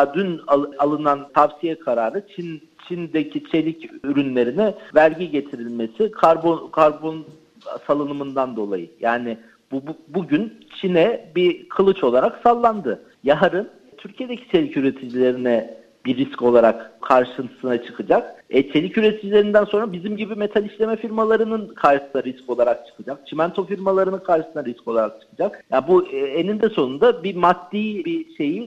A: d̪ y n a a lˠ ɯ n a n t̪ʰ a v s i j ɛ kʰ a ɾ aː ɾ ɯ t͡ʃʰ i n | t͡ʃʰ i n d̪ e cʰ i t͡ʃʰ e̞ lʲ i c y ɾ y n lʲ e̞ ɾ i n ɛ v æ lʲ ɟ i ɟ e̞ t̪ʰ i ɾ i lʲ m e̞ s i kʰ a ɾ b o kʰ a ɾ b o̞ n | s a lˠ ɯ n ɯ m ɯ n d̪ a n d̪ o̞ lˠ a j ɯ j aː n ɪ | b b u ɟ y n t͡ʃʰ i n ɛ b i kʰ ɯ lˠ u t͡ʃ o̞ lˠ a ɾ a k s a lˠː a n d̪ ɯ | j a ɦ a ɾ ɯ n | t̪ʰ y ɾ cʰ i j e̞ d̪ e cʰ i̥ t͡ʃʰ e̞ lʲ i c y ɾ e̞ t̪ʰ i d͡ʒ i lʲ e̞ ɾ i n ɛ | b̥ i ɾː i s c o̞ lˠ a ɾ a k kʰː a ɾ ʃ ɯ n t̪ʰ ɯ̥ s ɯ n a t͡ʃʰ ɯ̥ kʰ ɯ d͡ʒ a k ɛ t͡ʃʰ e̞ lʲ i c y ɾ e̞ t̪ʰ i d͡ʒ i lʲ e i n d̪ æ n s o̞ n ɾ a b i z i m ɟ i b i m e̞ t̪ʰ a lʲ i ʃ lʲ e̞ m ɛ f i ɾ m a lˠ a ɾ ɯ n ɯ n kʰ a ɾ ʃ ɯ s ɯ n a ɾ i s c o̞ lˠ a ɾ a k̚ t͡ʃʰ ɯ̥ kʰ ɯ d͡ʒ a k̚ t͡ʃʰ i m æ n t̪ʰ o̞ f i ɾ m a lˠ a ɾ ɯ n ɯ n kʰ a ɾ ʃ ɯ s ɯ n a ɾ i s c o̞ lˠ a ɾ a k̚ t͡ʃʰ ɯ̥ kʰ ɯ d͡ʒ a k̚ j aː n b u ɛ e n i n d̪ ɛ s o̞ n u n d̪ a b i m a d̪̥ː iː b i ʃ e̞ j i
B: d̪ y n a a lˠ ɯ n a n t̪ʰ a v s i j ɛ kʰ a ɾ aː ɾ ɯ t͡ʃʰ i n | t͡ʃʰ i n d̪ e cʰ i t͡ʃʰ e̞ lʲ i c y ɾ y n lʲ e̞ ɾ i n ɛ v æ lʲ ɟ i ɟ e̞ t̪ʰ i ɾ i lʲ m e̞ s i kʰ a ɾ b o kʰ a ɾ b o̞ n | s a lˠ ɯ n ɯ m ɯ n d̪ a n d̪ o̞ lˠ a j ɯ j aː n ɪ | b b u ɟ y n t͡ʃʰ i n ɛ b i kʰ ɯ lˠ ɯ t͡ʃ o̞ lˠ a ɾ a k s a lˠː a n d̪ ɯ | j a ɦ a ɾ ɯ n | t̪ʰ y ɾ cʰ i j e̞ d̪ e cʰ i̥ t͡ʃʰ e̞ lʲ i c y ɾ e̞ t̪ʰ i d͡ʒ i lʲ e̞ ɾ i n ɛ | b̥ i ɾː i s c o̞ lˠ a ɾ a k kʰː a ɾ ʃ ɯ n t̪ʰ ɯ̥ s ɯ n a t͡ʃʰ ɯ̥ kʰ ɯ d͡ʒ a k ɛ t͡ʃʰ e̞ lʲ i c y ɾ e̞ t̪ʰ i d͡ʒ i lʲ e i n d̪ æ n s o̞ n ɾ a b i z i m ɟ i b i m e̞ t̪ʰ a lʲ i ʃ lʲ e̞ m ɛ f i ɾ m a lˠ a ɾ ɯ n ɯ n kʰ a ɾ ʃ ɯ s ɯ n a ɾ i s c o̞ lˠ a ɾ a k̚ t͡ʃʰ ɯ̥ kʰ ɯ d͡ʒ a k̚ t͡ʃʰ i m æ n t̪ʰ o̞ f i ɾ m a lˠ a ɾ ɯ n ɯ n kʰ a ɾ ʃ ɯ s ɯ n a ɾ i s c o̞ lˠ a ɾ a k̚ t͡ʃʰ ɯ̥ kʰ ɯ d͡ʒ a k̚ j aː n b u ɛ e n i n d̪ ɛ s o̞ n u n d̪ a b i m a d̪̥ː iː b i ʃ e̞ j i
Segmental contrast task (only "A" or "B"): B